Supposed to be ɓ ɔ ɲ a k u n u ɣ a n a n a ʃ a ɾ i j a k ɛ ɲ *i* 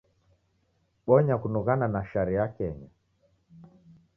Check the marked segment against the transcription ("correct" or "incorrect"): incorrect